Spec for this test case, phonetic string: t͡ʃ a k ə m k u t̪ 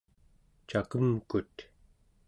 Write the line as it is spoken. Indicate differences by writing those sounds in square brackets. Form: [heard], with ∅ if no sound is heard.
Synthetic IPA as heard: t͡ʃ a k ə m k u t̪